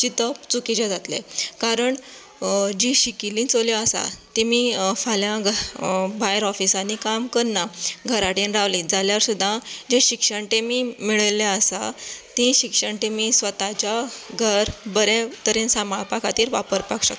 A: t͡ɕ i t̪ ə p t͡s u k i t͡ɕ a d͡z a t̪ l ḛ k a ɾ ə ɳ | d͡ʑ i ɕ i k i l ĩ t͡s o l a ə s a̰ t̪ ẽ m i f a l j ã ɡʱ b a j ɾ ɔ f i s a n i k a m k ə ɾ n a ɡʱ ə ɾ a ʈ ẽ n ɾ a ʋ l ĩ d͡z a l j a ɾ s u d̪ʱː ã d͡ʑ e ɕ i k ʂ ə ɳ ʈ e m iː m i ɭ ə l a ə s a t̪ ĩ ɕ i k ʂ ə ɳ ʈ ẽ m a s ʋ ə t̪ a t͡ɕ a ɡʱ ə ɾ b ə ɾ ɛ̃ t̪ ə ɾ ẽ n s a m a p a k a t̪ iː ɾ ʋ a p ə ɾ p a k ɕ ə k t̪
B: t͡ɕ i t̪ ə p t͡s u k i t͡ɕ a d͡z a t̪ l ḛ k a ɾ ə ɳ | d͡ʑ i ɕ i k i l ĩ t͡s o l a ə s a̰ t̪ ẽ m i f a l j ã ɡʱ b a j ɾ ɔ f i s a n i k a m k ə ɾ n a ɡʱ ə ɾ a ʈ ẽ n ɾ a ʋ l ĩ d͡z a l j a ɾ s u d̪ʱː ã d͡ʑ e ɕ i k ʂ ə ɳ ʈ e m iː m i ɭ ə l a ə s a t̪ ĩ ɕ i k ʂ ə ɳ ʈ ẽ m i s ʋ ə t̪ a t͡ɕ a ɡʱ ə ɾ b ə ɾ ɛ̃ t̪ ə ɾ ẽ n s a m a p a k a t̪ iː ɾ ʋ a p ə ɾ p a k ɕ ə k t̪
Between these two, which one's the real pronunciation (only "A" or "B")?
B